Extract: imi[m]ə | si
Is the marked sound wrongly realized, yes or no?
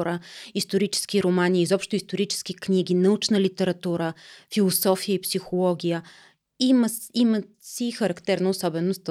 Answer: no